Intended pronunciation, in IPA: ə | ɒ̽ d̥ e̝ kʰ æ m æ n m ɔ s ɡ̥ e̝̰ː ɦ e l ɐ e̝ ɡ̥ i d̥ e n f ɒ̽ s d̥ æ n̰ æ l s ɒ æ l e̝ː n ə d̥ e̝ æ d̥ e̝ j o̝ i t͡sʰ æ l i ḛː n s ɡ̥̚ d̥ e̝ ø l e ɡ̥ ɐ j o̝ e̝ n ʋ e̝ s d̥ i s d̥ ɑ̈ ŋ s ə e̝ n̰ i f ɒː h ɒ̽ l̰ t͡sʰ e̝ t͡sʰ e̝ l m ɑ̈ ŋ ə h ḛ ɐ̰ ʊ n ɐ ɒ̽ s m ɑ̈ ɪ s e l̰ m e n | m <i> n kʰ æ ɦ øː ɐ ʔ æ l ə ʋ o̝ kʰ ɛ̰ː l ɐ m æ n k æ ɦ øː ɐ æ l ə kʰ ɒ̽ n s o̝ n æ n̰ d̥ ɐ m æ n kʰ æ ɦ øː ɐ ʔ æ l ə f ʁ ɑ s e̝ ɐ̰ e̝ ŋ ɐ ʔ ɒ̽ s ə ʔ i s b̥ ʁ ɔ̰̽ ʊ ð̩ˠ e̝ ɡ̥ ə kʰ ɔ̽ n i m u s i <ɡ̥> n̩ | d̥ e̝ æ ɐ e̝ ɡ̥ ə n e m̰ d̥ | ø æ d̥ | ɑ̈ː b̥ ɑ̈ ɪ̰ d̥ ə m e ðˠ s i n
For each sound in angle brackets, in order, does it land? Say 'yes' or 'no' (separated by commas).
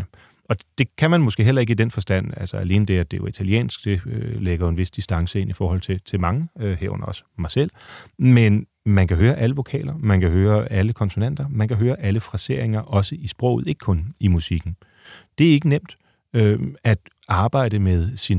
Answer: no, yes